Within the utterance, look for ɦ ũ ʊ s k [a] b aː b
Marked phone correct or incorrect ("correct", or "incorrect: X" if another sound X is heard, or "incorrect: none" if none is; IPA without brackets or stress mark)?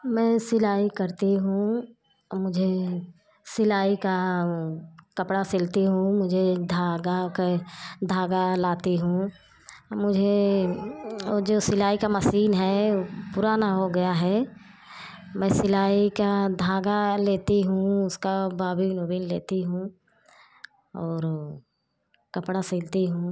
correct